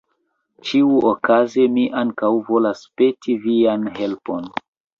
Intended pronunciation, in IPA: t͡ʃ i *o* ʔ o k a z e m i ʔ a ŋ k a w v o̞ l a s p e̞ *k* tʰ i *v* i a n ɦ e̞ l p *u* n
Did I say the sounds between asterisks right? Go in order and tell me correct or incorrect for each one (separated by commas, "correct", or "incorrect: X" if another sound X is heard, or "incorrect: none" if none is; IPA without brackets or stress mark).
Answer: incorrect: u, incorrect: none, correct, incorrect: o